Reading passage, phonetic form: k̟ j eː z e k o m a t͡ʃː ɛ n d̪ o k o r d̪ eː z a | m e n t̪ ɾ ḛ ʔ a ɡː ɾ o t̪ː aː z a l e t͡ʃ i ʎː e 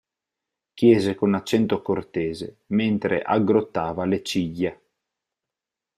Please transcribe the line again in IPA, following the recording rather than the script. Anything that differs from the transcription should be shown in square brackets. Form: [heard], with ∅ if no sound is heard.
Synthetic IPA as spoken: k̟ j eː z e k o [n] a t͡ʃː ɛ n [t̪] o k o r [t̪] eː z [e] | m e n t̪ ɾ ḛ ʔ a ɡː ɾ o t̪ː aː [v] a l e t͡ʃ i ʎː e